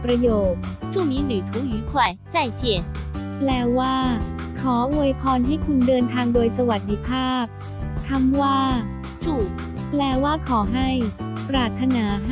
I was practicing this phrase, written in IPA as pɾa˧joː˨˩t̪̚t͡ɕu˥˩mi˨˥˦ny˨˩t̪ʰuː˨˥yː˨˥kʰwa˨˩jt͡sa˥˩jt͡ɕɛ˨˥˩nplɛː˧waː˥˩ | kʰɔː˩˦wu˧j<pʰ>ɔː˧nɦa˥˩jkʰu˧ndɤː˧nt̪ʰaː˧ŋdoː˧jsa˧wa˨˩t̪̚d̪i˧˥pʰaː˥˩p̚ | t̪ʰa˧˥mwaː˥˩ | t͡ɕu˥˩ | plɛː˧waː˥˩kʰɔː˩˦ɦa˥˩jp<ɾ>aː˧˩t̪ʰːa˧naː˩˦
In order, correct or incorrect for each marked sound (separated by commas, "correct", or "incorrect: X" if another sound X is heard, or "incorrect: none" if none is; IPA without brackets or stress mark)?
correct, correct